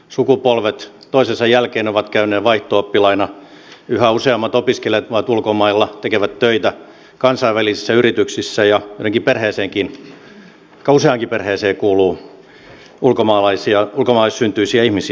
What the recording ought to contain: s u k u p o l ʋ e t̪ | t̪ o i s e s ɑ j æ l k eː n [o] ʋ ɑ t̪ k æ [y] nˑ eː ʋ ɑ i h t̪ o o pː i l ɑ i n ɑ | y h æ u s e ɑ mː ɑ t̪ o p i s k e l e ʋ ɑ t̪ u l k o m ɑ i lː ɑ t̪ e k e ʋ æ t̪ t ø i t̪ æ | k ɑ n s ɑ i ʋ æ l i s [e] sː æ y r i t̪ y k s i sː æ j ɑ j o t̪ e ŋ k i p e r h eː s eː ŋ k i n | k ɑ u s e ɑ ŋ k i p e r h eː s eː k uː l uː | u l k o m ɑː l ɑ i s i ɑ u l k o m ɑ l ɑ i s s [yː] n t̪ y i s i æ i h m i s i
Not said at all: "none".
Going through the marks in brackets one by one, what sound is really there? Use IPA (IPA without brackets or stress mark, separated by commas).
o, y, i, y